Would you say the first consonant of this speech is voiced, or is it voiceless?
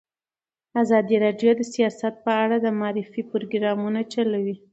voiced